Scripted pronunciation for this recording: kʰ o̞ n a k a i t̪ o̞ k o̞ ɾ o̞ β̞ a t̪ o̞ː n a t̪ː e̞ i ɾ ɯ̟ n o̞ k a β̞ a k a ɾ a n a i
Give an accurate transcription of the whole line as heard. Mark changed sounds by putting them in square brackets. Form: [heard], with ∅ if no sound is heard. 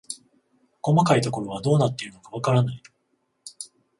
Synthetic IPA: [k] o̞ [m] a k a i t̪ o̞ k o̞ ɾ o̞ β̞ a [d̪] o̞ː n a t̪ː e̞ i ɾ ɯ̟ n o̞ k a β̞ a k a ɾ a n a i